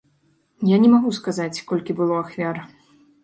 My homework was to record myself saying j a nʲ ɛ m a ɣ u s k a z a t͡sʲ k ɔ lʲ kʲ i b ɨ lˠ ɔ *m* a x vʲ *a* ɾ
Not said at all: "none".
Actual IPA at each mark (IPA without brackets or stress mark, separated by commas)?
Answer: none, a